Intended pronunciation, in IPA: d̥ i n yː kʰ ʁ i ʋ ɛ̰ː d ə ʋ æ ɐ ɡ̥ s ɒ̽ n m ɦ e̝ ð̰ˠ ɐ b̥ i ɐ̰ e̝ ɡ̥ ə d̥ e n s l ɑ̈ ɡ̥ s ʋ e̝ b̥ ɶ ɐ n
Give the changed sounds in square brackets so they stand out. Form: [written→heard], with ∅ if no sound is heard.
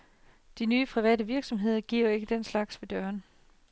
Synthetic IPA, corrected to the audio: d̥ i n yː [kʰ→pʰ] ʁ i ʋ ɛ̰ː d ə ʋ [æ→i] ɐ ɡ̥ s ɒ̽ [n→∅] m ɦ e̝ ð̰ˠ ɐ [b̥→ɡ̥] i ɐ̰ e̝ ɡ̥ ə d̥ e n s l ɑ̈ ɡ̥ s ʋ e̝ [b̥→d̥] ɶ ɐ n